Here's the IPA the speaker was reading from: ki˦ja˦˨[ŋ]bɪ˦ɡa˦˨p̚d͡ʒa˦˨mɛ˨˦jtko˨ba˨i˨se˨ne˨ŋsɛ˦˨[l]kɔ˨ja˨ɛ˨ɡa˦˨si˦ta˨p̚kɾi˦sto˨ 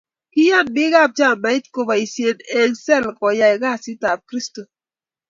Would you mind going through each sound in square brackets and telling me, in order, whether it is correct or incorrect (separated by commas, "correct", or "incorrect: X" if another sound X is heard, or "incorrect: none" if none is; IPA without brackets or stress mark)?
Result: incorrect: n, correct